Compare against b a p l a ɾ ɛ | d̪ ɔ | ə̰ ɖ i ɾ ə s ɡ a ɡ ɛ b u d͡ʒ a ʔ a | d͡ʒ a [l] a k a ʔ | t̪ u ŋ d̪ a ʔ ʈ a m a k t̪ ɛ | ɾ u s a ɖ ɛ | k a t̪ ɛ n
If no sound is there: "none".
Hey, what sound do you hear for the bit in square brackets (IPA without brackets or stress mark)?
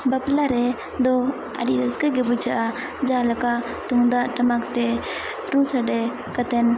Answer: l